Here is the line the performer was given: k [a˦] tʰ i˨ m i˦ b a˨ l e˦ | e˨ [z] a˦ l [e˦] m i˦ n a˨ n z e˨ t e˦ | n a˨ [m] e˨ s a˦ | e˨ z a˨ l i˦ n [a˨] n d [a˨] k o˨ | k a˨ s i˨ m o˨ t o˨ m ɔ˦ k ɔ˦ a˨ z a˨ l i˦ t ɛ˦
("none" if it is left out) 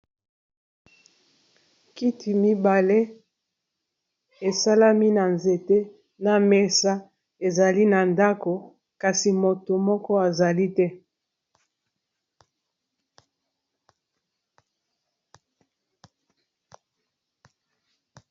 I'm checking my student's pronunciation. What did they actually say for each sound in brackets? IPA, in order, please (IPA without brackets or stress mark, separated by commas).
i˦, s, a˦, m, a˨, a˦